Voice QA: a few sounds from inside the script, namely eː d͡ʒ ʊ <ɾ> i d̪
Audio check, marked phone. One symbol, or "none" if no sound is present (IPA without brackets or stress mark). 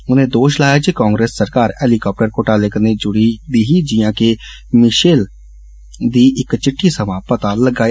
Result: ɽ